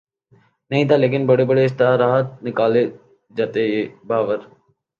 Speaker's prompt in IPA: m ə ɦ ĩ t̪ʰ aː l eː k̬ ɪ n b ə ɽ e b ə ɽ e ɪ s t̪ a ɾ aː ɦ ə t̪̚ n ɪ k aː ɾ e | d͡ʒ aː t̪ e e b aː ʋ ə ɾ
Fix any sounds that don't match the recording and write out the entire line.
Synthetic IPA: n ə ɦ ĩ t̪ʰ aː l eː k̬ ɪ n b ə ɽ e b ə ɽ e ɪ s t̪ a ɾ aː ɦ ə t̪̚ n ɪ k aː l e | d͡ʒ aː t̪ e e b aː ʋ ə ɾ